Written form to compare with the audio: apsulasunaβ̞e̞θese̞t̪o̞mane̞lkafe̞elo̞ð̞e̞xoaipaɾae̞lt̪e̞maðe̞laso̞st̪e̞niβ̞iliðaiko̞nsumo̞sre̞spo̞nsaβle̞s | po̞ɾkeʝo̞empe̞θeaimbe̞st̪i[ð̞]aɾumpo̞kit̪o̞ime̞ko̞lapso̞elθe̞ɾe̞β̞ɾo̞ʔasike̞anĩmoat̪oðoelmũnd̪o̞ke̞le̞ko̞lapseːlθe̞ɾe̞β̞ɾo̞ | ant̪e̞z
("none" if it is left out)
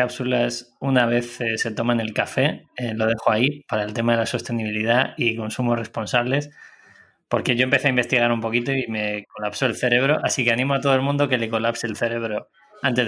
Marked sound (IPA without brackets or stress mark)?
ɣ̞